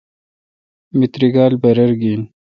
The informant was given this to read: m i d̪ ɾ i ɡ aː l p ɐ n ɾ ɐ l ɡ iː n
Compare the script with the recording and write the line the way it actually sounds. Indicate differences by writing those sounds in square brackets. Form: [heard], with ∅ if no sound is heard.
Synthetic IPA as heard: m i [t̪] ɾ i ɡ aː l [b] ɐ [∅] ɾ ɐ [ɾ] ɡ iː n

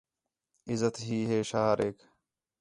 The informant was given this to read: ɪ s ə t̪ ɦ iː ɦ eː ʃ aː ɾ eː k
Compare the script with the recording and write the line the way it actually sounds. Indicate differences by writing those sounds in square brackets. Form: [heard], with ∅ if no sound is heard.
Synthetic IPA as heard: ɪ [z] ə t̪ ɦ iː ɦ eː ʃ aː ɾ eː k

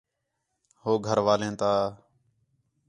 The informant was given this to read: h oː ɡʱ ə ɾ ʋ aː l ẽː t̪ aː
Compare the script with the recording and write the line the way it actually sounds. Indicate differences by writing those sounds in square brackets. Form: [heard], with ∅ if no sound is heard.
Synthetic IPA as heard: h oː ɡʱ ə ɾ ʋ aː l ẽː t̪ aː

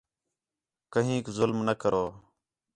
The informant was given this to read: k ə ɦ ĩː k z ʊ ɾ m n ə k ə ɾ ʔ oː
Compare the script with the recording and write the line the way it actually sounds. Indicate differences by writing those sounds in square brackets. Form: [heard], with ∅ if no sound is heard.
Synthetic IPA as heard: k ə ɦ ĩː k z ʊ [l] m n ə k ə ɾ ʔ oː

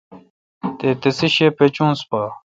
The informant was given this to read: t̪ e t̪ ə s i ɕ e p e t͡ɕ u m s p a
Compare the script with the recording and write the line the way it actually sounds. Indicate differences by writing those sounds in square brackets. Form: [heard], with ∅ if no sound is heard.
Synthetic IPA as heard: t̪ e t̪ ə s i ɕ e p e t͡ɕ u [ŋ] s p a

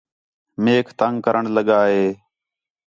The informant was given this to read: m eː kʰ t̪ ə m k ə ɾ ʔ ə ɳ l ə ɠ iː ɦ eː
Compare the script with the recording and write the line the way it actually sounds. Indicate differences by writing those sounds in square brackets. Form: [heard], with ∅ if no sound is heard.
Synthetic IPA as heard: m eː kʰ t̪ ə [ŋ] k ə ɾ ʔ ə ɳ l ə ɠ [aː] ɦ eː

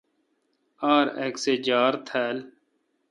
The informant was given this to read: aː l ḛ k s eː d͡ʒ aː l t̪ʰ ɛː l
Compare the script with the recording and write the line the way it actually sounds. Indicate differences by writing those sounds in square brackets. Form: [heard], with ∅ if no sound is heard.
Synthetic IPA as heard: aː [ɾ] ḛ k s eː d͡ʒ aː [ɾ] t̪ʰ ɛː l

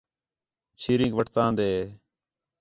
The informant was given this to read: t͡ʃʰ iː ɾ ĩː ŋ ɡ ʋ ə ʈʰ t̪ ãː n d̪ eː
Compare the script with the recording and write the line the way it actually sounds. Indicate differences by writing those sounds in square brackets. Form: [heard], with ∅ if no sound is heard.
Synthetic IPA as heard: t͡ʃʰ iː ɾ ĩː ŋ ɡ ʋ ə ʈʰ t̪ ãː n d̪ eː

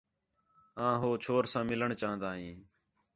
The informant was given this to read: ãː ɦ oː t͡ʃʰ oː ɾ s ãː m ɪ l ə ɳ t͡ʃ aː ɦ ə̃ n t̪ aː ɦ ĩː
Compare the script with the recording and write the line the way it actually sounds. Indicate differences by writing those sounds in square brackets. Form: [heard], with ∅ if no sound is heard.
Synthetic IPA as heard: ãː ɦ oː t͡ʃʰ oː ɾ s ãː m ɪ l ə ɳ t͡ʃ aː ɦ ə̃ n [d̪] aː ɦ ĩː

